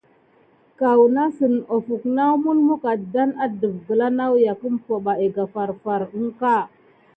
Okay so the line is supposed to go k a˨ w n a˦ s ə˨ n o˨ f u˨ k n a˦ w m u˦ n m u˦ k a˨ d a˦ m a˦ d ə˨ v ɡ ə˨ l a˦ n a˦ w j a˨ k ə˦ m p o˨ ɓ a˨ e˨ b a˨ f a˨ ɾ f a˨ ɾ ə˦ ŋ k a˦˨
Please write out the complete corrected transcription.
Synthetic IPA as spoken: k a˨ w n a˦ s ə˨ n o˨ f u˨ k n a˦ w m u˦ n m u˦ k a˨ d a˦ n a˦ d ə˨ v ɡ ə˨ l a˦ n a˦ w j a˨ k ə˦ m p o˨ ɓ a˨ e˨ ɡ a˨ f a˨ ɾ f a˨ ɾ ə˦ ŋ k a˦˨